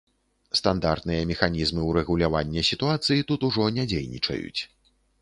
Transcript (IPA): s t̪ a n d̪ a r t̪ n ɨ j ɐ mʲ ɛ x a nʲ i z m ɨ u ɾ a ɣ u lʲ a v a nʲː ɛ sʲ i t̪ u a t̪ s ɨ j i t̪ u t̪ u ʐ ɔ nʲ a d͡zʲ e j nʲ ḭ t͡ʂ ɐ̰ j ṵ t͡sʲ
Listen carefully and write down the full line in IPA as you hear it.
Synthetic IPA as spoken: s t̪ a n d̪ a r t̪ n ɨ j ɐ mʲ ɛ x a nʲ i z m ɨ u ɾ ɛ ɣ u lʲ a v a nʲː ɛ sʲ i t̪ u a t̪ s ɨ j i t̪ u t̪ u ʐ ɔ nʲ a d͡zʲ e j nʲ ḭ t͡ʂ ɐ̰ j ṵ t͡sʲ